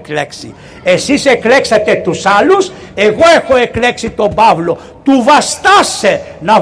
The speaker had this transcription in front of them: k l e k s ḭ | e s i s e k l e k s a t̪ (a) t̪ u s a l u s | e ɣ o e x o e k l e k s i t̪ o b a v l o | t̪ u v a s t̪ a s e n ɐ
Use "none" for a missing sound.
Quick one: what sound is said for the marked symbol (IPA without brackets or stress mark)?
e